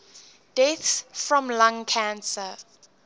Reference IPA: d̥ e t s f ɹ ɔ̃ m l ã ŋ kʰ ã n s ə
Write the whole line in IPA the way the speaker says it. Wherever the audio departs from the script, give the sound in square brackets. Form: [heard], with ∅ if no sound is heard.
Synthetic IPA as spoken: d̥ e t s f ɹ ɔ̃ m l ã ŋ kʰ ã n s ə